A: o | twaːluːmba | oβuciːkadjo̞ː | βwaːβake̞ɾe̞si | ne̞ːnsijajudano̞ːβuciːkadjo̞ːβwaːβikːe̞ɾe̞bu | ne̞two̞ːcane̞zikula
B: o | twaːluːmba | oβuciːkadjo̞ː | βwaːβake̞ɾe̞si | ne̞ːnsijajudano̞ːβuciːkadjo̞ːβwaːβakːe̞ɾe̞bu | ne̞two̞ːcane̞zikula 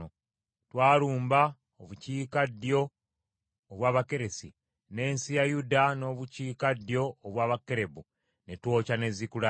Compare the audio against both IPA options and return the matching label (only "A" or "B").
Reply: B